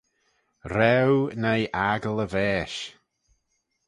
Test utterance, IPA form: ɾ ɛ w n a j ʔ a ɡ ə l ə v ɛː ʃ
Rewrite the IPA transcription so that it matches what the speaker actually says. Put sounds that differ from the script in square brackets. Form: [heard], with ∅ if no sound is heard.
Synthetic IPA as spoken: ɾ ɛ w n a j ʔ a ɡ ə l ə v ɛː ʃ